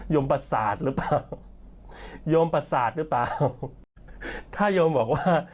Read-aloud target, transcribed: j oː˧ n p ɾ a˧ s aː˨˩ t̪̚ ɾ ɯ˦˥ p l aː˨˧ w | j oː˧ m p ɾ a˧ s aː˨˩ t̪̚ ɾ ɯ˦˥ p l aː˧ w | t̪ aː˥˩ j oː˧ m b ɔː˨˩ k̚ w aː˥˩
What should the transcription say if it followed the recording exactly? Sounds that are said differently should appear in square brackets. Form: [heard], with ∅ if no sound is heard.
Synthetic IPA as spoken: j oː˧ [m] p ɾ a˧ s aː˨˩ t̪̚ ɾ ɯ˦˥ p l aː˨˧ w | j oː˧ m p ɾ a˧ s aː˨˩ t̪̚ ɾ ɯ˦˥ p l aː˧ w | [t̪ʰ] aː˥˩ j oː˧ m b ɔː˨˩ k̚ w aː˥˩